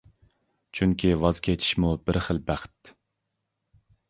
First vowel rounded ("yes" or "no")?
yes